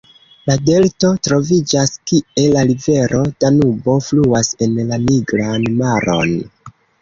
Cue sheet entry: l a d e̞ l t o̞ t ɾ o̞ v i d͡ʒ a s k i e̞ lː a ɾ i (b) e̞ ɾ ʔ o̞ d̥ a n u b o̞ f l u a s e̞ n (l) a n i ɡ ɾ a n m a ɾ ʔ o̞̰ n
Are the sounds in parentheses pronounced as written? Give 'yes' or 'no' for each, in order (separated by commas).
no, yes